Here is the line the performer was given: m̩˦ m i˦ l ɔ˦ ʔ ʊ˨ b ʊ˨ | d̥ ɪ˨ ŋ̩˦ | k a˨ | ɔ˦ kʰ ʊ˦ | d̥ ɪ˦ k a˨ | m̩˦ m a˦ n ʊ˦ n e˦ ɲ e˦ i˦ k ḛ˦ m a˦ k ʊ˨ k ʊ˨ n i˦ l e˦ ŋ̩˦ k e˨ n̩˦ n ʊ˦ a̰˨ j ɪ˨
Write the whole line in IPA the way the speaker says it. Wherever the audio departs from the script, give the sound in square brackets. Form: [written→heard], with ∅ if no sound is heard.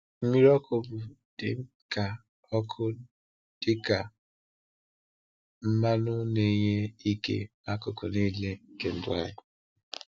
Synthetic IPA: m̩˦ m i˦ [l→ɾ] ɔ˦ [ʔ→k] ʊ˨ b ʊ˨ | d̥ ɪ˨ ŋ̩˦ | k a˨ | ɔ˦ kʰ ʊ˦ | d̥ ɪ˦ k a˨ | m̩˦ m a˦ n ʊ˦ n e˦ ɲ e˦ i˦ k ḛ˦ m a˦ k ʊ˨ k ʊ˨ n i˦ l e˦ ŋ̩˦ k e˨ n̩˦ [n→d] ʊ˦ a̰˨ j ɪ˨